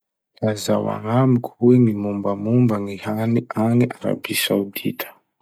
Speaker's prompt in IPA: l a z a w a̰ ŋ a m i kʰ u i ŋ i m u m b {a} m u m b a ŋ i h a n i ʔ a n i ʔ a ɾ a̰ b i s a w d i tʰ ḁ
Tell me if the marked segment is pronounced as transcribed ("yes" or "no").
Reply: yes